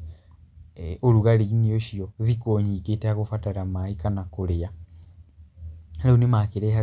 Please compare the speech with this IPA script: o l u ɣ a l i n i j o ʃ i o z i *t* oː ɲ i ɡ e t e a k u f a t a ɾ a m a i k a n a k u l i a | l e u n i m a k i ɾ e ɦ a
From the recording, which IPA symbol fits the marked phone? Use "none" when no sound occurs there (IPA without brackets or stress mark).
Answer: k